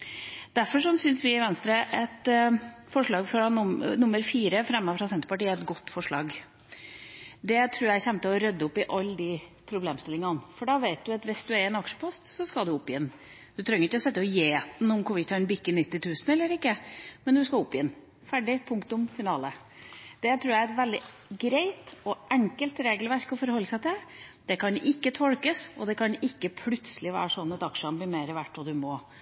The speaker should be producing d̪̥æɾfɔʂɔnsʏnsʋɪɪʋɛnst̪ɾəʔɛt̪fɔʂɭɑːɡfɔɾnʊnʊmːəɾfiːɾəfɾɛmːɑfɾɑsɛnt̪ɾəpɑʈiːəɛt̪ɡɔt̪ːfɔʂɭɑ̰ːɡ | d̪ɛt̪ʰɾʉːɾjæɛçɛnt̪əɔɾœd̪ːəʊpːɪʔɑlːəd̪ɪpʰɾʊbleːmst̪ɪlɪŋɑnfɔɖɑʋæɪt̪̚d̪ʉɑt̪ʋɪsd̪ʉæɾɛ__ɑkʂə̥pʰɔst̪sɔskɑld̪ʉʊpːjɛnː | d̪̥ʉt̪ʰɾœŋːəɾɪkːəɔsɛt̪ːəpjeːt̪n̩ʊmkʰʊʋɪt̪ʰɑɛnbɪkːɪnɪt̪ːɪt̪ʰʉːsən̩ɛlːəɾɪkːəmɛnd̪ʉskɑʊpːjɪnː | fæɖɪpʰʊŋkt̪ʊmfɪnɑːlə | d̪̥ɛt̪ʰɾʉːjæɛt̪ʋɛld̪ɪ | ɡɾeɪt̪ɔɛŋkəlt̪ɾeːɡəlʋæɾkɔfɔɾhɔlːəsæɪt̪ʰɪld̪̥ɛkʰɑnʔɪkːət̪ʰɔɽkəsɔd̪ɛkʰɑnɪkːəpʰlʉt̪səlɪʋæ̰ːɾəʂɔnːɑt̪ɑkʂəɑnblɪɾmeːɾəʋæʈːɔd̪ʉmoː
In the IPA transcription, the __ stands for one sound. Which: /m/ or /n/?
n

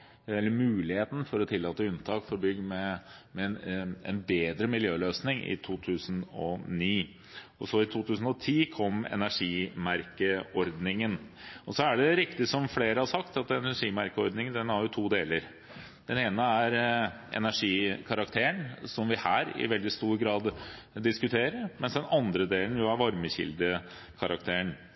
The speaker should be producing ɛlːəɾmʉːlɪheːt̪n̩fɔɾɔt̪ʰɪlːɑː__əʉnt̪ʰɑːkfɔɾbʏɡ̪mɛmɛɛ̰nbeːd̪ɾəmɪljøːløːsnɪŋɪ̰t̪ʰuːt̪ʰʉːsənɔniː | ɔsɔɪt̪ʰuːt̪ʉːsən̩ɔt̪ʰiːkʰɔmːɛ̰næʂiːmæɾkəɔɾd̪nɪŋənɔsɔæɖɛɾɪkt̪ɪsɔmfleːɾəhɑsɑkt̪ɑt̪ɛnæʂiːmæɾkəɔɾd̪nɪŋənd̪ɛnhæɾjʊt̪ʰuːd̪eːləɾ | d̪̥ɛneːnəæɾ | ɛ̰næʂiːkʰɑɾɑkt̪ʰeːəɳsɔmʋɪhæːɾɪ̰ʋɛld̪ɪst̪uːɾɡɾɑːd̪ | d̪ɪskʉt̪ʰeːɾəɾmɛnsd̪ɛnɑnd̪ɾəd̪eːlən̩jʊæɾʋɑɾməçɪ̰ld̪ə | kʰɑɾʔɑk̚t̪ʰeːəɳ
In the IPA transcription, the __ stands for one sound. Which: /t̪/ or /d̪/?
t̪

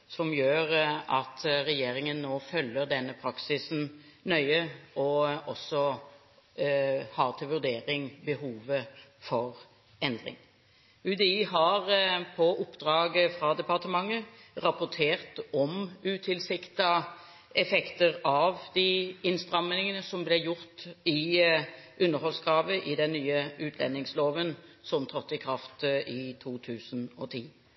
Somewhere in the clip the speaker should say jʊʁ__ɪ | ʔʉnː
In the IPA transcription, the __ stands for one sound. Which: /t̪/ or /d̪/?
t̪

